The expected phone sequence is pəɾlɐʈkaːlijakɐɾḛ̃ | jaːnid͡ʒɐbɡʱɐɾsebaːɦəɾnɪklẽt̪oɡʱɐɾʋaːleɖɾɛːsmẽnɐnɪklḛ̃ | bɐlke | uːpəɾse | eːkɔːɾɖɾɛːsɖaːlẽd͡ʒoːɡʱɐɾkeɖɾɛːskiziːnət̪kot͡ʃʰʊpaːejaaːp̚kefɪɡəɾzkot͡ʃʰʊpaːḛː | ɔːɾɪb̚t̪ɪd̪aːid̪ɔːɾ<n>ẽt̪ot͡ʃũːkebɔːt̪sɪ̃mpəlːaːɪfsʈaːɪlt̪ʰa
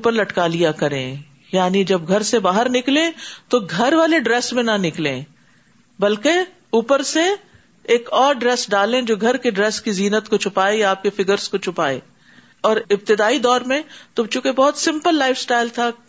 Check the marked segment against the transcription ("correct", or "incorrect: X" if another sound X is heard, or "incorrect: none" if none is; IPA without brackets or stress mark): incorrect: m